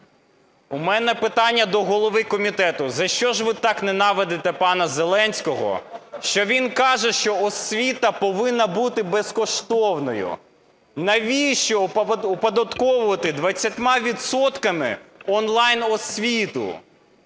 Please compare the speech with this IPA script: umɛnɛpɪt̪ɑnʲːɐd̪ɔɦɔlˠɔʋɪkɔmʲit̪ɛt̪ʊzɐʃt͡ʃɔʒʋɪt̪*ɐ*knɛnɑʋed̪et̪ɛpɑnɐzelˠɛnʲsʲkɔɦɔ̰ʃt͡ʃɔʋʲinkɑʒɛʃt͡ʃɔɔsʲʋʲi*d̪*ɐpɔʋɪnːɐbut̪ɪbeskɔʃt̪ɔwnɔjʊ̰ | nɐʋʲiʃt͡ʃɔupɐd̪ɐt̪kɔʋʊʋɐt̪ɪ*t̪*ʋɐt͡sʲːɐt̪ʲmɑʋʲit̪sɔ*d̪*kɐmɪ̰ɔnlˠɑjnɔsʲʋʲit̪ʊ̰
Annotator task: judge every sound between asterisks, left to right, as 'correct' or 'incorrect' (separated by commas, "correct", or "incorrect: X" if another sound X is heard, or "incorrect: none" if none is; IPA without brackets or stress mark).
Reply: incorrect: ɑ, incorrect: t̪, incorrect: d̪, incorrect: t̪